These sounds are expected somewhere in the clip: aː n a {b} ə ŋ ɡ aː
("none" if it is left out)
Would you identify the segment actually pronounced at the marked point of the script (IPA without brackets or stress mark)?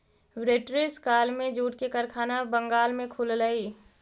b